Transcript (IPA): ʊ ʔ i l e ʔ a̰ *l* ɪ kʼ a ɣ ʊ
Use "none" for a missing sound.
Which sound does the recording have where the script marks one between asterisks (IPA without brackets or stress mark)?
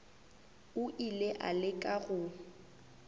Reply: l